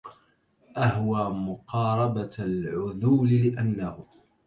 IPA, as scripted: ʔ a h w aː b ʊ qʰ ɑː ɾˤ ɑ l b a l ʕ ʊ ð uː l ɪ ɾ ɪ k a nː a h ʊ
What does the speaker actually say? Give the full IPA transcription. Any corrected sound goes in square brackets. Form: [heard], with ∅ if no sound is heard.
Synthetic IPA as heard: ʔ a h w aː [m] ʊ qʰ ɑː ɾˤ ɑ [∅] b a l ʕ ʊ ð uː l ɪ [l] ɪ [ʔ] a nː a h ʊ